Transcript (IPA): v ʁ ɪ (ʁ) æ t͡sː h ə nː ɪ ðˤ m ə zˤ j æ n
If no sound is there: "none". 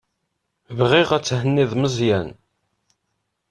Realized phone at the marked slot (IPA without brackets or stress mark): ʁ